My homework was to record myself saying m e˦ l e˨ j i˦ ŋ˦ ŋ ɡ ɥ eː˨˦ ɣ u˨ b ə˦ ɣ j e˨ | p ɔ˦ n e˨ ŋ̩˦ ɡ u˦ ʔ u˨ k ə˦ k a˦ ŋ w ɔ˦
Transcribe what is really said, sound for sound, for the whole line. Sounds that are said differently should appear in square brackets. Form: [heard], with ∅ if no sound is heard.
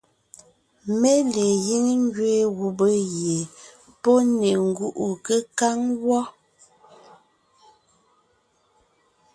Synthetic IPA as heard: m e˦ l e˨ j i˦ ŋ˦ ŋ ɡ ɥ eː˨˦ ɣ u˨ b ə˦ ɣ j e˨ | p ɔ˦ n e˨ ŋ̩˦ ɡ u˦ ʔ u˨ k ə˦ k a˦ ŋ w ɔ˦